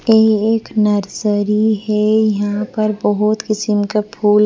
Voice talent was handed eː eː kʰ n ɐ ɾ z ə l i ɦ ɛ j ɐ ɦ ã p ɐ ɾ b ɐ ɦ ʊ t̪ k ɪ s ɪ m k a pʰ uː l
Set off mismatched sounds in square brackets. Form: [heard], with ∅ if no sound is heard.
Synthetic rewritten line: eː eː [k] n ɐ ɾ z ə [ɾ] i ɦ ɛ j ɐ ɦ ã p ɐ ɾ b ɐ ɦ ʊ t̪ k ɪ s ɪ m k a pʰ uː l